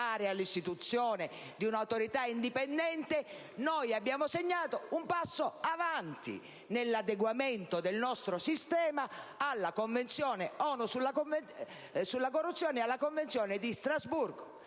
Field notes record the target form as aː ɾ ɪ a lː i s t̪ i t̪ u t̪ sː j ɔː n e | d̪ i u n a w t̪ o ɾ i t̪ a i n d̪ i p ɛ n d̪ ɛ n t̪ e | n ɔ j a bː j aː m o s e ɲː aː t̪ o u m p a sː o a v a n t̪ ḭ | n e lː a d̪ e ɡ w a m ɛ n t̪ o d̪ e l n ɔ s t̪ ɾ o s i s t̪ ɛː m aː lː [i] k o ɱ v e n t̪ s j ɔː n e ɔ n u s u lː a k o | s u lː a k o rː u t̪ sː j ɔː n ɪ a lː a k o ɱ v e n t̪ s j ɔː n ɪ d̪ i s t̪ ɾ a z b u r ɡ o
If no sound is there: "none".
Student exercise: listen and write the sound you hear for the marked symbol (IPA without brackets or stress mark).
a